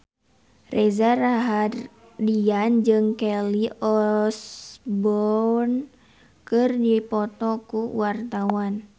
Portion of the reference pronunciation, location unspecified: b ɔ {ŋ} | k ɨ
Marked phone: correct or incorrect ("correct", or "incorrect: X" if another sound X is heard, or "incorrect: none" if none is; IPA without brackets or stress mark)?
incorrect: n